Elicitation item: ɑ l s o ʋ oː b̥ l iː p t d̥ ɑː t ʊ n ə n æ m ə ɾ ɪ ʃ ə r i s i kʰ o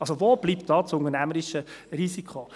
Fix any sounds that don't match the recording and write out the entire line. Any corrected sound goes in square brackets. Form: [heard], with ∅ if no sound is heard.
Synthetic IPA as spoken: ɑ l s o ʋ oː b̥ l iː p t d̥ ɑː [t͡s] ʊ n ə n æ m ə ɾ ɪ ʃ ə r i s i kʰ o